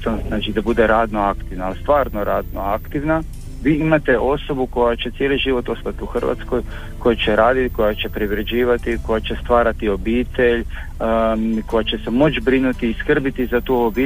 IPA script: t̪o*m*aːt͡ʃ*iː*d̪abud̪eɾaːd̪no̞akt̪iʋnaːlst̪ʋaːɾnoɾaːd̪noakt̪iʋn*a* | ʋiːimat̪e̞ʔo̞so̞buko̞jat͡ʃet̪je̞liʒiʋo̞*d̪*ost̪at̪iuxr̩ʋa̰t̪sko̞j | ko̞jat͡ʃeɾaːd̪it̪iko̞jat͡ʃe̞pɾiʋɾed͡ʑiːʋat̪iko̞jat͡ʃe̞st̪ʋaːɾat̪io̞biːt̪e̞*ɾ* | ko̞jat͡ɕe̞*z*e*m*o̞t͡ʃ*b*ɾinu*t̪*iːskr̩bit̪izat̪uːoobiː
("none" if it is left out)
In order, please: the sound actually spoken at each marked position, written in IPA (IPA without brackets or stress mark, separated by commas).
n, i, a, t̪, ʎ, s, m, b, t̪